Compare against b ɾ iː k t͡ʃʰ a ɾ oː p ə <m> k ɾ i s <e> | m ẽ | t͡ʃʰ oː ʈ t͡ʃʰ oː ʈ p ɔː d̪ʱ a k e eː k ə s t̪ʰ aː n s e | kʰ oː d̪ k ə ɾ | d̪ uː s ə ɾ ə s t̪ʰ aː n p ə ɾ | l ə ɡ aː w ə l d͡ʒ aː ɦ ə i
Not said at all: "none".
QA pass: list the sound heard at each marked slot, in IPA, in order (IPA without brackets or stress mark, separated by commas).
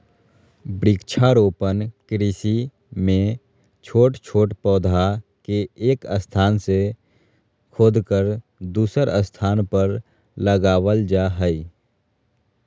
n, i